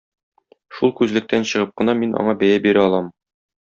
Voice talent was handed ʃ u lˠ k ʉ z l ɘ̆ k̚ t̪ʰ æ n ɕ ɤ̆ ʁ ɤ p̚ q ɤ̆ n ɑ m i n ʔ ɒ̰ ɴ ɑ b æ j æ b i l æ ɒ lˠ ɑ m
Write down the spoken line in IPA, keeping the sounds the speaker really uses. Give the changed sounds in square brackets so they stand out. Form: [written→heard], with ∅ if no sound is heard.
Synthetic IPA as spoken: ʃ u lˠ k ʉ z l ɘ̆ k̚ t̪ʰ æ n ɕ ɤ̆ ʁ ɤ p̚ q ɤ̆ n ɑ m i n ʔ ɒ̰ ɴ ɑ b æ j æ b i [l→ɾ] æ ɒ lˠ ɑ m